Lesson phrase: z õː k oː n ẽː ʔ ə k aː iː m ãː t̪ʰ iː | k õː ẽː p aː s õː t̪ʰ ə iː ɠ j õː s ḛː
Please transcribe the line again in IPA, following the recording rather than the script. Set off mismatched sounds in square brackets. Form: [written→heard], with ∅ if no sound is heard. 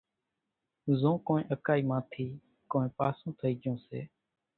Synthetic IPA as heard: z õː k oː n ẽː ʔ ə k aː iː m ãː t̪ʰ iː | k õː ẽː p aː s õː t̪ʰ ə iː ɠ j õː s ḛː